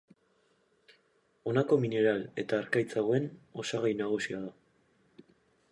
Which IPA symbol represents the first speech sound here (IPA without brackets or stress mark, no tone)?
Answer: o̞